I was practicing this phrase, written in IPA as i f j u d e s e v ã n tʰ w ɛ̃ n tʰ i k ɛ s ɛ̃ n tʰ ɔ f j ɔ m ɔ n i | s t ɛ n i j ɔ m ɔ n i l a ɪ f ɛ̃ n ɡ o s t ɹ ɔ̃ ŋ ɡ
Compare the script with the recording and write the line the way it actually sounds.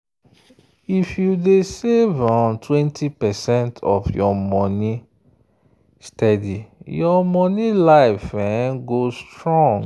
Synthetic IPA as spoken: i f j u d e s e v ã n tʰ w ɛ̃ n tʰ i p ɛ s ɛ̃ n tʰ ɔ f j ɔ m ɔ n i | s t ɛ d i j ɔ m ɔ n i l a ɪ f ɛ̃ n ɡ o s t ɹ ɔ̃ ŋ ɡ